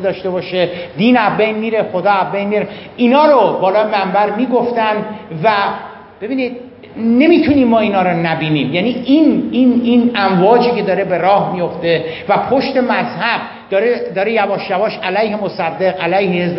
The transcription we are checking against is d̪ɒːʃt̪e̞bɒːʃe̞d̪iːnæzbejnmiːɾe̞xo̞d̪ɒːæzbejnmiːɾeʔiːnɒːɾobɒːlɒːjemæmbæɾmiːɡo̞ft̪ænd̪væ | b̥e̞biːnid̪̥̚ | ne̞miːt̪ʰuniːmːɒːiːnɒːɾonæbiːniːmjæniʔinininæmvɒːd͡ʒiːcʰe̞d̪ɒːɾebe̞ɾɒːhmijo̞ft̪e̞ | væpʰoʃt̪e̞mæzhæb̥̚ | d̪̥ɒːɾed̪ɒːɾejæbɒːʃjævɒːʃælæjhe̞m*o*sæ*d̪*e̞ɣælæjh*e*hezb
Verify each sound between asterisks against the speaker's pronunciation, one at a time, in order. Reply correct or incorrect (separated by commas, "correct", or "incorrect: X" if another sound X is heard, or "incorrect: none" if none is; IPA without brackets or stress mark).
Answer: correct, incorrect: d̪ː, correct